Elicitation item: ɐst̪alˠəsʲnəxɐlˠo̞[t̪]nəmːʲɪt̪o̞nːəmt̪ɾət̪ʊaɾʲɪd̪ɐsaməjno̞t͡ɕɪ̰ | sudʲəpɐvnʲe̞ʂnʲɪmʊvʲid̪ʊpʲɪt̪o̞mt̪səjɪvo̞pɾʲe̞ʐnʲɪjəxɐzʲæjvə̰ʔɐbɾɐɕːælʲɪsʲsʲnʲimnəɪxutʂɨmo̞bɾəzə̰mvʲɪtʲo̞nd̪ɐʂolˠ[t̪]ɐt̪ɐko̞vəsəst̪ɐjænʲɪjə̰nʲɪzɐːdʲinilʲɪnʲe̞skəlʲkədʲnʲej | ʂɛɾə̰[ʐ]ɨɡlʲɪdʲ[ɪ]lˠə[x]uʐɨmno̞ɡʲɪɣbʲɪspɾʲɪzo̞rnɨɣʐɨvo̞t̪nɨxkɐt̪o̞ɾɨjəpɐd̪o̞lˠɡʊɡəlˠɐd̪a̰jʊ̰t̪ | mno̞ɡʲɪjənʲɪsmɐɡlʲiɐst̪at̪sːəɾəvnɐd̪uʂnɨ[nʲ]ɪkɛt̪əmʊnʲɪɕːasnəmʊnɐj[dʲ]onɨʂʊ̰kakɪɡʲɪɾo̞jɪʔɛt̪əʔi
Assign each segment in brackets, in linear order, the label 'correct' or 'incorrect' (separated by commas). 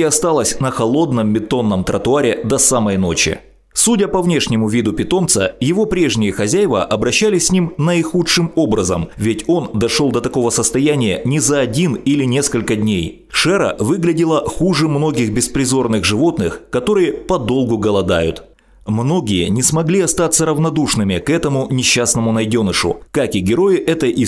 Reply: incorrect, incorrect, incorrect, correct, correct, incorrect, correct